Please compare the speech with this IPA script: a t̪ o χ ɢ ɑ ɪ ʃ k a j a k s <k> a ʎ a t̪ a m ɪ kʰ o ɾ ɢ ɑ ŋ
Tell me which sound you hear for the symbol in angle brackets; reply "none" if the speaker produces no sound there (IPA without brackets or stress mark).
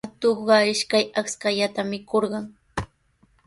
k